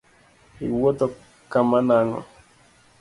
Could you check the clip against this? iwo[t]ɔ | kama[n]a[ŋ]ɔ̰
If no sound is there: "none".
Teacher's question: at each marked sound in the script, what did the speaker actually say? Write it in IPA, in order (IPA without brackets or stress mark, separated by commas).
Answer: t, n, ŋ